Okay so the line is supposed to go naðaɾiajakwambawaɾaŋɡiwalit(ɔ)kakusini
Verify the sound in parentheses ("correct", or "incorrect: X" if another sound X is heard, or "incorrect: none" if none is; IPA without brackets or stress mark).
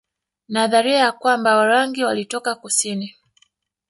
correct